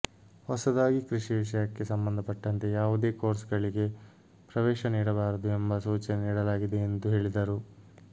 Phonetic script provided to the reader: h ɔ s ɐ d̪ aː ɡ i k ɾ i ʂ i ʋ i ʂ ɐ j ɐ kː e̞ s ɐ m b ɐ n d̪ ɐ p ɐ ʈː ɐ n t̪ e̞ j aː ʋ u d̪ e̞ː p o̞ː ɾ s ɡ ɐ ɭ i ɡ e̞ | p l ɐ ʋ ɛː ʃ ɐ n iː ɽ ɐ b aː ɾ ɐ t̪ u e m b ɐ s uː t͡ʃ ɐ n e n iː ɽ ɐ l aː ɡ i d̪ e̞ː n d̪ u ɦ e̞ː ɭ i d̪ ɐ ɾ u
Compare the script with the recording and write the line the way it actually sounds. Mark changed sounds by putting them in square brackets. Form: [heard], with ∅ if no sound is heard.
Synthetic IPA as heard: h ɔ s ɐ d̪ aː ɡ i k ɾ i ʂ i ʋ i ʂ ɐ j ɐ kː e̞ s ɐ m b ɐ n d̪ ɐ p ɐ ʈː ɐ n t̪ e̞ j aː ʋ u d̪ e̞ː [k] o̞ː ɾ s ɡ ɐ ɭ i ɡ e̞ | p [ɾ] ɐ ʋ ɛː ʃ ɐ n iː ɽ ɐ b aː ɾ ɐ [d̪] u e m b ɐ s uː t͡ʃ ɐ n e n iː ɽ ɐ l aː ɡ i d̪ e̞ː n d̪ u ɦ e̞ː ɭ i d̪ ɐ ɾ u